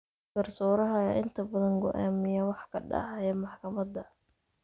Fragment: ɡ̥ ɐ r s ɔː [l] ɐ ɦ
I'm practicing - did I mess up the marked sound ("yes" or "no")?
yes